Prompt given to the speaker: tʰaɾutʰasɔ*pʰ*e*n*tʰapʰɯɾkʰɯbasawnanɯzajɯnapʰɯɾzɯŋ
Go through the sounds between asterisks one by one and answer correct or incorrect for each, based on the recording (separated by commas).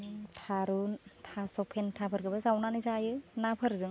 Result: correct, correct